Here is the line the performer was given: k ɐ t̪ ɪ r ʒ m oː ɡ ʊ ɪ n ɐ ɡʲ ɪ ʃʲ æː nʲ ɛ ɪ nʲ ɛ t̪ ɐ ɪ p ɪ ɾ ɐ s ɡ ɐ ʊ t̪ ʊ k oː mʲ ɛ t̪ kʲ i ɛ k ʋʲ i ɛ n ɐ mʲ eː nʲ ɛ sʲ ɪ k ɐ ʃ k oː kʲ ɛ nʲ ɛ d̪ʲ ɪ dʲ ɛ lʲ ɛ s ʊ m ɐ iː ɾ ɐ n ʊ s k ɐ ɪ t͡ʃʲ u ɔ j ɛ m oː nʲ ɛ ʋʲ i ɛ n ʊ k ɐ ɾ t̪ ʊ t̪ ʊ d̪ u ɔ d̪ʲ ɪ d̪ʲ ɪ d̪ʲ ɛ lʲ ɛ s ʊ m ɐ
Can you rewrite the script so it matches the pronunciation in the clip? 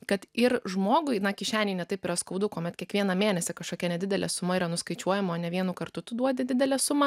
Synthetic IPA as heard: k ɐ t̪ ɪ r ʒ m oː ɡ ʊ ɪ n ɐ kʲ ɪ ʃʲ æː nʲ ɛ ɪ nʲ ɛ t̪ ɐ ɪ p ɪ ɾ ɐ s k ɐ ʊ d̪ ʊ k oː mʲ ɛ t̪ kʲ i ɛ k ʋʲ i ɛ n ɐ mʲ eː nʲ ɛ sʲ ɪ k ɐ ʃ k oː kʲ ɛ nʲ ɛ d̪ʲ ɪ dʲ ɛ lʲ ɛ s ʊ m ɐ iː ɾ ɐ n ʊ s k ɐ ɪ t͡ʃʲ u ɔ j ɛ m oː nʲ ɛ ʋʲ i ɛ n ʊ k ɐ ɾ t̪ ʊ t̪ ʊ d̪ u ɔ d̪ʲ ɪ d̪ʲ ɪ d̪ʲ ɛ lʲ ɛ s ʊ m ɐ